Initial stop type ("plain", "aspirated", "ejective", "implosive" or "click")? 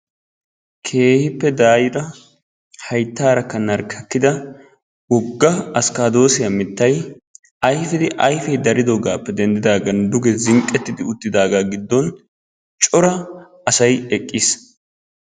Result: aspirated